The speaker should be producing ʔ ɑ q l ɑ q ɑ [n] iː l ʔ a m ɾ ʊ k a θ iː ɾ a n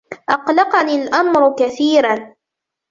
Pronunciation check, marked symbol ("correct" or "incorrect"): correct